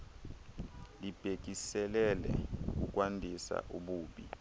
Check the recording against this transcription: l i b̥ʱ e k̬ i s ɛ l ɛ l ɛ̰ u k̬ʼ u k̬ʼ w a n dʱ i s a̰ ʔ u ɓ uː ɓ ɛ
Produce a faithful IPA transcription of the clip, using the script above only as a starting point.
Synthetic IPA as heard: l i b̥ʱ e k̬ i s ɛ l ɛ l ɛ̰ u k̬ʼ u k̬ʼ w a n dʱ i s a̰ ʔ u ɓ uː ɓ i